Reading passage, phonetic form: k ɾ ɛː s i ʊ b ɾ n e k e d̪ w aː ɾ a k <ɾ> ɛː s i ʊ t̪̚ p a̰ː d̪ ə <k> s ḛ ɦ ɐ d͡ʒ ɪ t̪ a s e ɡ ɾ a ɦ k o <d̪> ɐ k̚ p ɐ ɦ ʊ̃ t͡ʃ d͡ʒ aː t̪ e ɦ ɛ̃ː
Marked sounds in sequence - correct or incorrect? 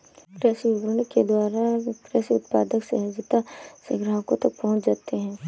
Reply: correct, correct, incorrect: t̪

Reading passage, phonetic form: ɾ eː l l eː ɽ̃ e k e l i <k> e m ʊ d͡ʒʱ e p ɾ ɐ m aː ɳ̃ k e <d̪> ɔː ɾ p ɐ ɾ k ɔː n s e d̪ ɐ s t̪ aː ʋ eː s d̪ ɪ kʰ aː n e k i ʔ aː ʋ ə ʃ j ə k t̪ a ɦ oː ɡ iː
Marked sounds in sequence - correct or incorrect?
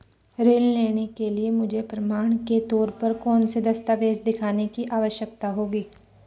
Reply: incorrect: none, incorrect: t̪

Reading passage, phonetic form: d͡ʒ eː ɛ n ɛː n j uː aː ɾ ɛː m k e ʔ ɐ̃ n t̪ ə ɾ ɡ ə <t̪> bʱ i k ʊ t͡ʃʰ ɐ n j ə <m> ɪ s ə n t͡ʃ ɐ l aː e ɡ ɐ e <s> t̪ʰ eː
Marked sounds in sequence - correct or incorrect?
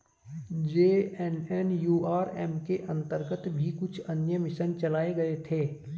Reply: correct, correct, incorrect: none

